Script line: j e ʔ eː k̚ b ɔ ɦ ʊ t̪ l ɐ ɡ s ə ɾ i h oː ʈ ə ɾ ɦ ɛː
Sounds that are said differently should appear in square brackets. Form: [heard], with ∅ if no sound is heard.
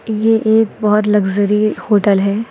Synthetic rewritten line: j e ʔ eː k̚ b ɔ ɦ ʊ t̪ l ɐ ɡ [z] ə ɾ i h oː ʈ ə [l] ɦ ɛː